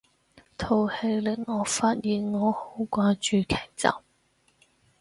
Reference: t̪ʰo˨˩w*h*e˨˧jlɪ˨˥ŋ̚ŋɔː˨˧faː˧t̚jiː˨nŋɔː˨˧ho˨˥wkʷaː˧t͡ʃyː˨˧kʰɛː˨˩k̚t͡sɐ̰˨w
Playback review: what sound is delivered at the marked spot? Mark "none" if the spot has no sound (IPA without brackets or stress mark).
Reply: h